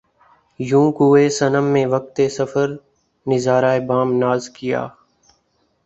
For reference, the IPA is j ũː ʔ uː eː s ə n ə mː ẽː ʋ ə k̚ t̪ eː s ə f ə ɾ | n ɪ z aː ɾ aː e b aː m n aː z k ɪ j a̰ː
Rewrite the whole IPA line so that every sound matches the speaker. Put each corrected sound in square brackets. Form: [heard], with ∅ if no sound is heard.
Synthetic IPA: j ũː [k] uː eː s ə n ə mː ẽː ʋ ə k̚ t̪ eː s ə f ə ɾ | n ɪ z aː ɾ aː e b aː m n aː z k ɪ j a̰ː